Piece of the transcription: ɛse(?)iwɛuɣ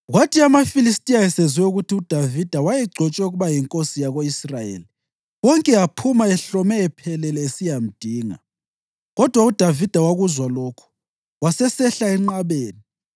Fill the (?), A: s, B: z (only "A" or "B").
B